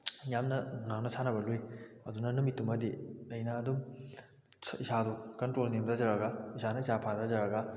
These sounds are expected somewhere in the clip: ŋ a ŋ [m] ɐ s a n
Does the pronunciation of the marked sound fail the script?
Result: yes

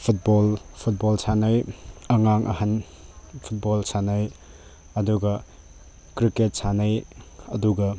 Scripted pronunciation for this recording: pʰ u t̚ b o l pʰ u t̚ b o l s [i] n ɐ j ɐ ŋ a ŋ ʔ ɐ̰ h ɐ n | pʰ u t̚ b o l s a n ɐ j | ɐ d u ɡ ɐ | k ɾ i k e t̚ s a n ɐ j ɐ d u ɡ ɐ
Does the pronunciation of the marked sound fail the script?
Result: yes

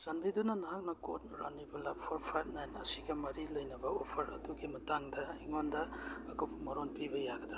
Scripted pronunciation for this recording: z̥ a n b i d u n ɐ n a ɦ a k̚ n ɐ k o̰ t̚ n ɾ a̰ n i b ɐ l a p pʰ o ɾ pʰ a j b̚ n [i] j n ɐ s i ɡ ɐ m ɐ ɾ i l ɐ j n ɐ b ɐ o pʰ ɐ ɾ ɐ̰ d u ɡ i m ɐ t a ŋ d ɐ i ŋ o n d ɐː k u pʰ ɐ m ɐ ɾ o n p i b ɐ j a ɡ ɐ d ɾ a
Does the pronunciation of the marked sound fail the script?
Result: yes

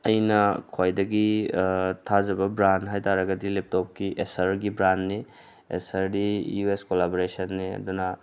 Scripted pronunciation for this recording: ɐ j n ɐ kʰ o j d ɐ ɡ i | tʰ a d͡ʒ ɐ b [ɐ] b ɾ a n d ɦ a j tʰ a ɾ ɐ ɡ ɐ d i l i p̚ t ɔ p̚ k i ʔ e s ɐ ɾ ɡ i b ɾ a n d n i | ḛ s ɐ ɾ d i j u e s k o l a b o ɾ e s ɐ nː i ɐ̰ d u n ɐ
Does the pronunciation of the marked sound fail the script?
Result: no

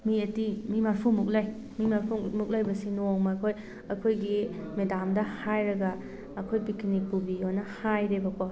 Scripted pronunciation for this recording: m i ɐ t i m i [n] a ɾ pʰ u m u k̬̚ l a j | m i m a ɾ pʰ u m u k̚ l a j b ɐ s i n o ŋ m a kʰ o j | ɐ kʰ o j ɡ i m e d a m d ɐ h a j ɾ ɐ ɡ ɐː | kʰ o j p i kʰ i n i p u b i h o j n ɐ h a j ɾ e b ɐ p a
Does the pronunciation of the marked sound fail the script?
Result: yes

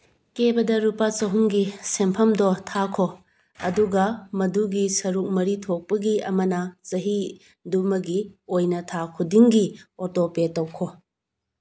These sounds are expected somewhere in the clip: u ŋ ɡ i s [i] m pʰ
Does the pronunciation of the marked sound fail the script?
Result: yes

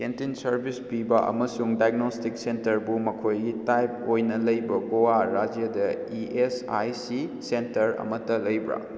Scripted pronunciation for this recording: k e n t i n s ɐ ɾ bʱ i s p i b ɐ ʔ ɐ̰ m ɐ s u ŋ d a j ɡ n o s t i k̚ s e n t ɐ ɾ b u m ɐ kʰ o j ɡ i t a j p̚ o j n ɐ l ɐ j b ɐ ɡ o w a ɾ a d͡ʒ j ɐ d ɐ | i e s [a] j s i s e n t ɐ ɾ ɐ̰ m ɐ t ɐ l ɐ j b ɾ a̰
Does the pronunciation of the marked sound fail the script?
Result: no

